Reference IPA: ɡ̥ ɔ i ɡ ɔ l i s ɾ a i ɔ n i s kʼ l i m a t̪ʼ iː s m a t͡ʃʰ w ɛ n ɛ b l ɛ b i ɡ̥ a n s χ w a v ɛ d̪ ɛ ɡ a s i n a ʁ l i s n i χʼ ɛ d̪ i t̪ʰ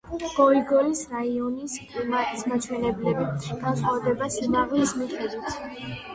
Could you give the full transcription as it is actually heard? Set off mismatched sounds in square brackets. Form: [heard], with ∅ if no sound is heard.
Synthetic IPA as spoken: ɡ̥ ɔ i ɡ ɔ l i s ɾ a i ɔ n i s kʼ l i m a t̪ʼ [i] s m a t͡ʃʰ w ɛ n ɛ b l ɛ b i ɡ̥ a n s χ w a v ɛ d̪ ɛ [b] a s i n a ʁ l i s [m] i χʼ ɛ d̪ i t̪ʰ